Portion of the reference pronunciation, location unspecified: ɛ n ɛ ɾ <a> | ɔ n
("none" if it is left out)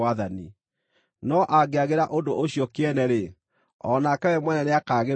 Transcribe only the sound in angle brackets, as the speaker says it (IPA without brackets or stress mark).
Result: e